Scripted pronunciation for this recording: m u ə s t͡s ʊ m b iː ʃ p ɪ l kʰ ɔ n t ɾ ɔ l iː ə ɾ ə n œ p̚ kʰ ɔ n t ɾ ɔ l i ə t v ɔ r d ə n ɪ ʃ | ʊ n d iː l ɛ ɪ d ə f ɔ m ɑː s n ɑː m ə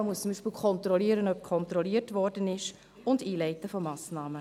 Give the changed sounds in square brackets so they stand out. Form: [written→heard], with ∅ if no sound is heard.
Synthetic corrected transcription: m u ə s t͡s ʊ m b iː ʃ p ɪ l kʰ ɔ n t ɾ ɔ l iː ə ɾ ə n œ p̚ kʰ ɔ n t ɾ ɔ l i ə t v ɔ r d ə n ɪ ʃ | ʊ n d iː l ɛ ɪ [d→t] ə f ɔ m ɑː s n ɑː m ə